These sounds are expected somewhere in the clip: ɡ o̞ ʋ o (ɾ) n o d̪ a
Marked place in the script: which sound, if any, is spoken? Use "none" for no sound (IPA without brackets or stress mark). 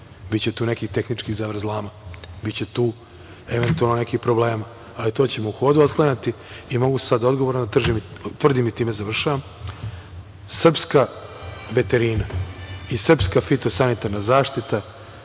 ɾ